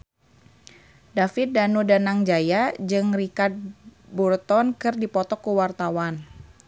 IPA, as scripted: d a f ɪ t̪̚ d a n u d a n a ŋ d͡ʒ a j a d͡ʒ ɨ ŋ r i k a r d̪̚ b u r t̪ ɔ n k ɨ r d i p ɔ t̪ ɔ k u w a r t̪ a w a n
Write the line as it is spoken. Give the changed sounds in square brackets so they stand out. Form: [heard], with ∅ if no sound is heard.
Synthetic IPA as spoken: d a f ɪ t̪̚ d a n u d a n a ŋ d͡ʒ a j a d͡ʒ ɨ ŋ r i k a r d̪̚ b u r t̪ ɔ n k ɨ r d i p ɔ t̪ ɔ k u w a r t̪ a w a n

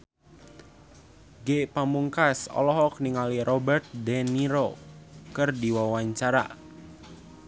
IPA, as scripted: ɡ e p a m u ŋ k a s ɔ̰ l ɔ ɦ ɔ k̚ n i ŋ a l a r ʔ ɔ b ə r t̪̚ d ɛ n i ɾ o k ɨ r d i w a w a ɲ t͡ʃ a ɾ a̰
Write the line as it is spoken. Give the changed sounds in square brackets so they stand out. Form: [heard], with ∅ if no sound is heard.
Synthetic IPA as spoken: ɡ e p a m u ŋ k a s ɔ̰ l ɔ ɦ ɔ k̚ n i ŋ a l [i] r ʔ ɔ b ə r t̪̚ d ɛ n i ɾ o k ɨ r d i w a w a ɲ t͡ʃ a ɾ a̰

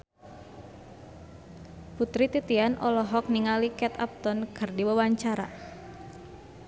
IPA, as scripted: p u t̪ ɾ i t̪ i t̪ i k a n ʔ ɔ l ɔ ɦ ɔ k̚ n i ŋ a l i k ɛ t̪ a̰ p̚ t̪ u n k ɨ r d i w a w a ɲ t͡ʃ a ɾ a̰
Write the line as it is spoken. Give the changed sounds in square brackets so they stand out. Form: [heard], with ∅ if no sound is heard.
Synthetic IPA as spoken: p u t̪ ɾ i t̪ i t̪ i [∅] a n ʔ ɔ l ɔ ɦ ɔ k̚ n i ŋ a l i k ɛ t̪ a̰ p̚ t̪ [ɔ] n k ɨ r d i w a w a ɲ t͡ʃ a ɾ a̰

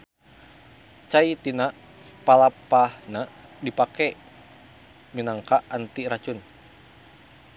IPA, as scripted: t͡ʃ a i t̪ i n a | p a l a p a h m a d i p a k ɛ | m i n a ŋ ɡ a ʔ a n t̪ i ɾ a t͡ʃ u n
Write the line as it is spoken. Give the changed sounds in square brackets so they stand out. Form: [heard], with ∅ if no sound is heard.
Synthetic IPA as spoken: t͡ʃ a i t̪ i n a | p a l a p a h [n] a d i p a k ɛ | m i n a ŋ [k] a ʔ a n t̪ i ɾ a t͡ʃ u n

